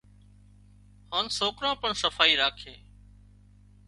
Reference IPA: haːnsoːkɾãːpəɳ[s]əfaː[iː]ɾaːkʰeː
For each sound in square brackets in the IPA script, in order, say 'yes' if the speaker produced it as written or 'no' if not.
yes, yes

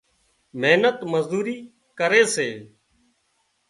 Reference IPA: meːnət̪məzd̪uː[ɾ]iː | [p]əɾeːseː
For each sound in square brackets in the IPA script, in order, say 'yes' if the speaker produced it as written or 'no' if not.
yes, no

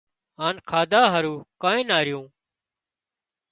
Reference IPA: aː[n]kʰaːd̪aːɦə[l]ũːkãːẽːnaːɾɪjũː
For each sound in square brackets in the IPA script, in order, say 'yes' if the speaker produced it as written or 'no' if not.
yes, no

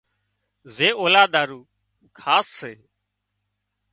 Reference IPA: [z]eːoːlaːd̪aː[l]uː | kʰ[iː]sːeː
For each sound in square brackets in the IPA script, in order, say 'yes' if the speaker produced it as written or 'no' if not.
yes, no, no

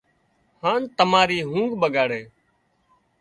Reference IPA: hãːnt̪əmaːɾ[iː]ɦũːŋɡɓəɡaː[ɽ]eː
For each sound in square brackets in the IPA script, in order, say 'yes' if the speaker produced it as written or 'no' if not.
yes, yes

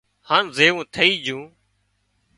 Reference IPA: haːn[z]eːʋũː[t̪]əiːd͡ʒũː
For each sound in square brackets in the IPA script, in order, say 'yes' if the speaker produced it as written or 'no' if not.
yes, no

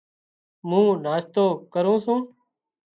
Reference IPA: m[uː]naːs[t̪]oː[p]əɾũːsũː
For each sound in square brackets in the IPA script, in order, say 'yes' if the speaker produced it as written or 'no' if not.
no, yes, no

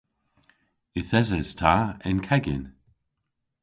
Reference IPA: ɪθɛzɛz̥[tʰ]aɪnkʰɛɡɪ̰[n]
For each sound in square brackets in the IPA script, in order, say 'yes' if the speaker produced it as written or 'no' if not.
yes, yes

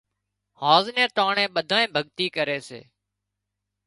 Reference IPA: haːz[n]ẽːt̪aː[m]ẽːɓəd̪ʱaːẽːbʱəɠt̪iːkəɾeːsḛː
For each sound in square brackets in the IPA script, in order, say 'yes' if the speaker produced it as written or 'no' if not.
yes, no

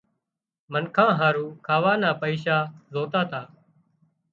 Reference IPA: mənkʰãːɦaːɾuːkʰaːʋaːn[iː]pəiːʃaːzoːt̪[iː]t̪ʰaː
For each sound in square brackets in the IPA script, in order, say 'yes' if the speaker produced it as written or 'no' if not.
no, no

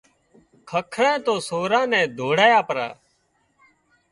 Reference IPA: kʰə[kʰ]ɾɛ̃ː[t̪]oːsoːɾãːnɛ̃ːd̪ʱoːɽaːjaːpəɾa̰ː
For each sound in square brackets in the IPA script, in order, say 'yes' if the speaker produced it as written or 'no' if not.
yes, yes

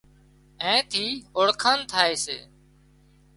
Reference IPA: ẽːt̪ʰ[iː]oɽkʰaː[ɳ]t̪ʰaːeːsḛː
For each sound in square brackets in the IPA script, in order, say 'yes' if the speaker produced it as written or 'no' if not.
yes, no

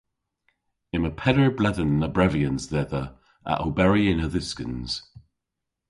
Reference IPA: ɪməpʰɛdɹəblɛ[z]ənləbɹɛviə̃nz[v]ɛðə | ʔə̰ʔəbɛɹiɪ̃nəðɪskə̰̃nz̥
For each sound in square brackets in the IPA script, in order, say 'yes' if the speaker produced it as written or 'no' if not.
no, no

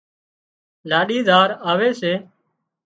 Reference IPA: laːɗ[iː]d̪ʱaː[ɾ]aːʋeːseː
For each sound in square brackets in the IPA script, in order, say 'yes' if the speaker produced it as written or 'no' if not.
yes, yes

